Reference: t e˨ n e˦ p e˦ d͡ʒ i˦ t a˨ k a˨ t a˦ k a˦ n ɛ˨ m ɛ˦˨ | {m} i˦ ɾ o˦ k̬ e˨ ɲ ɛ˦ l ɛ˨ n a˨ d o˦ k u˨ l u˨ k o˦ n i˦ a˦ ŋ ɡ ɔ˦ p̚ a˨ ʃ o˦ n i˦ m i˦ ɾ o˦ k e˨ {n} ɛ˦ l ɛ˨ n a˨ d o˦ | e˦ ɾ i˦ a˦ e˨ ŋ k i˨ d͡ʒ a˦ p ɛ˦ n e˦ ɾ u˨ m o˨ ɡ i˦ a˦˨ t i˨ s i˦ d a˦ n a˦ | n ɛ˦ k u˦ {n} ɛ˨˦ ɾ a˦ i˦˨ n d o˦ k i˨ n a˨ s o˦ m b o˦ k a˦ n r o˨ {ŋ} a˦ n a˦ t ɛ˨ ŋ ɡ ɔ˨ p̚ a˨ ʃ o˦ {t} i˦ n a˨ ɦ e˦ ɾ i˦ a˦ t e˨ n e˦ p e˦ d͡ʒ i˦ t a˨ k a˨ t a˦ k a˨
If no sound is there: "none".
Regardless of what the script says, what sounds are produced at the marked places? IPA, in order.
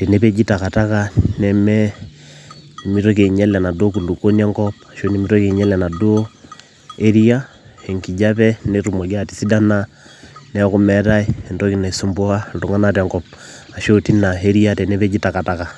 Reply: m, ɲ, m, ŋ, t

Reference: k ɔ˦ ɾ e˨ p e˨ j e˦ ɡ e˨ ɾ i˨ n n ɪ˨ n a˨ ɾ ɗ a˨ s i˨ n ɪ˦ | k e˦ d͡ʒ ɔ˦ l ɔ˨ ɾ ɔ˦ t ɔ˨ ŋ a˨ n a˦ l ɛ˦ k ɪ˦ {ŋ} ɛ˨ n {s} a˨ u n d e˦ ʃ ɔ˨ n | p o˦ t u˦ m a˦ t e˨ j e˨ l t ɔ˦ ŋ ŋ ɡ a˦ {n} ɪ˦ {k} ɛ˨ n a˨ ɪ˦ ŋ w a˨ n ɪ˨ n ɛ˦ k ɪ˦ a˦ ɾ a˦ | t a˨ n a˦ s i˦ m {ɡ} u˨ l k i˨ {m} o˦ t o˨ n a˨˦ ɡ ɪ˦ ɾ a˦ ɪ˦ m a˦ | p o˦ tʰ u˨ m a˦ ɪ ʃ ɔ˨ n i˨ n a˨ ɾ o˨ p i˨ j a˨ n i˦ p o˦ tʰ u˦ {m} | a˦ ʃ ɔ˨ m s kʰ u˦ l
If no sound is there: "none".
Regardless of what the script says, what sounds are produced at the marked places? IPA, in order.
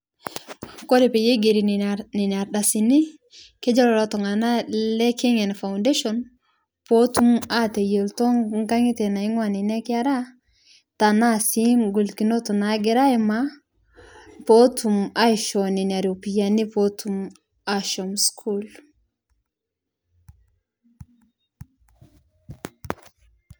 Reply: ŋ, f, ŋ, t, ɡ, n, m

